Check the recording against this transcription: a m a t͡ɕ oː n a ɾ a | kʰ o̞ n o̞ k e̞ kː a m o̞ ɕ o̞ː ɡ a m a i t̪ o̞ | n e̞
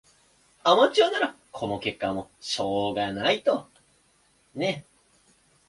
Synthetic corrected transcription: a m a t͡ɕ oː n a ɾ a | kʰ o̞ n o̞ k e̞ kː a m o̞ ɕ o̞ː ɡ a n a i t̪ o̞ | n e̞